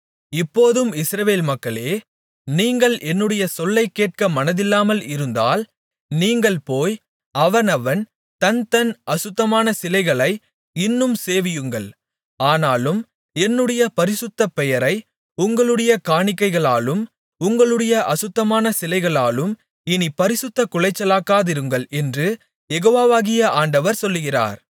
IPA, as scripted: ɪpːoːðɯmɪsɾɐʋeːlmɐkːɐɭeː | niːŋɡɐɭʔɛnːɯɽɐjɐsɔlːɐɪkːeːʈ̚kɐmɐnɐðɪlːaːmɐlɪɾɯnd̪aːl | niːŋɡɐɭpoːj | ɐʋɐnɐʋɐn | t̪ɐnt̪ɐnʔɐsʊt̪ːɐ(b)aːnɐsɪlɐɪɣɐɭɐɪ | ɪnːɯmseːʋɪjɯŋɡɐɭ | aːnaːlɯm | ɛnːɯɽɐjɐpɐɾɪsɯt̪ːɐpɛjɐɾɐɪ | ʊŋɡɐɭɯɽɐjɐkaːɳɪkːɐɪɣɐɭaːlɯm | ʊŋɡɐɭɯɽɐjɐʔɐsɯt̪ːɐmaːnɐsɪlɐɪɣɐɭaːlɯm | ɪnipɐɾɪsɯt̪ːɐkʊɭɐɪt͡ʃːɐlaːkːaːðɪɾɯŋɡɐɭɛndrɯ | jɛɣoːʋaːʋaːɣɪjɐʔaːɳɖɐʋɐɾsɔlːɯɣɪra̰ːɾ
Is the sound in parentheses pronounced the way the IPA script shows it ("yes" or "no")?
no